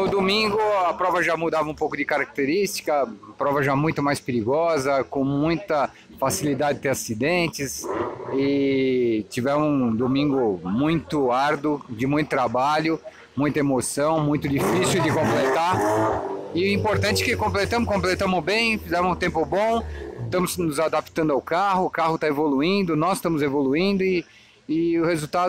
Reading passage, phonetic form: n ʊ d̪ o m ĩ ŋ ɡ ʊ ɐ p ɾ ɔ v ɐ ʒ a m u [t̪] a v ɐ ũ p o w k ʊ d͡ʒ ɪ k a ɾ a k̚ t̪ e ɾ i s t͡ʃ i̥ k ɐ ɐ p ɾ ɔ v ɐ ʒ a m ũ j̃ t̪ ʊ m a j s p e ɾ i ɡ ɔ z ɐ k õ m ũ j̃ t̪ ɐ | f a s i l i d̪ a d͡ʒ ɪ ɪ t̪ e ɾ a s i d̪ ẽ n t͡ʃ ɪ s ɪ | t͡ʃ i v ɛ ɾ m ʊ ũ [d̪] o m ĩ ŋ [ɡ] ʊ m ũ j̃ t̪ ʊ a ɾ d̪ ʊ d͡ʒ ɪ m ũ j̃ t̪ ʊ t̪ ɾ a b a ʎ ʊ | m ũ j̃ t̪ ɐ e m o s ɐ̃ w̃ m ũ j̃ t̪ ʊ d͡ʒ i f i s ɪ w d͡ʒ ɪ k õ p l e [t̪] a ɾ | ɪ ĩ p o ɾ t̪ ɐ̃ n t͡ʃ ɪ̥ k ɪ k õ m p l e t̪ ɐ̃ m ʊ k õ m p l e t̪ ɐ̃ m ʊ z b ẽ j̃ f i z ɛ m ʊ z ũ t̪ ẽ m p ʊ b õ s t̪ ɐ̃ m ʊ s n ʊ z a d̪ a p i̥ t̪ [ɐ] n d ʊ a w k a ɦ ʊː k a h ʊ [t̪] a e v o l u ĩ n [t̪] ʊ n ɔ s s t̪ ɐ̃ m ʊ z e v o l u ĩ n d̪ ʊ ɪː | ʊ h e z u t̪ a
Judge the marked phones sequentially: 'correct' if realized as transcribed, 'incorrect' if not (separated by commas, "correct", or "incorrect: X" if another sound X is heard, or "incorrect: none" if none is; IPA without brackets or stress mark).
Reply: incorrect: d̪, correct, correct, correct, incorrect: ɐ̃, correct, incorrect: d̪